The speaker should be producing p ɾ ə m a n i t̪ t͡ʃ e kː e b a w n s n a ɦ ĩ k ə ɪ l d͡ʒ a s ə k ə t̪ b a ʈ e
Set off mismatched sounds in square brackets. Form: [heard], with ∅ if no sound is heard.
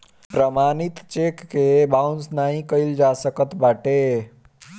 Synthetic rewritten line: p ɾ ə m a n i t̪ t͡ʃ e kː e b a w n s n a ɦ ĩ k ə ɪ l d͡ʒ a s ə k ə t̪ b a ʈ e